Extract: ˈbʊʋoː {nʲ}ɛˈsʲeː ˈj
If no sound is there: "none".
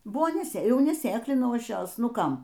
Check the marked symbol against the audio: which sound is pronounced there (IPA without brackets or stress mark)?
nʲ